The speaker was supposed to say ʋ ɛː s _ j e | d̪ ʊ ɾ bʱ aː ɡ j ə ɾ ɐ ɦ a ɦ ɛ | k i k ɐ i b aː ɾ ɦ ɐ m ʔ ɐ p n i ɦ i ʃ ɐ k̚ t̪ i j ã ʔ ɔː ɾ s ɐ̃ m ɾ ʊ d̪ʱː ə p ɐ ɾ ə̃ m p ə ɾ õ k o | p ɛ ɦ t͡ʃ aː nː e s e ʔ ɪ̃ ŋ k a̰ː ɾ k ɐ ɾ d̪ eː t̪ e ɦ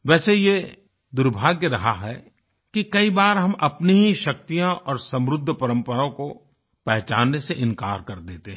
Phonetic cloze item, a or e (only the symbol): e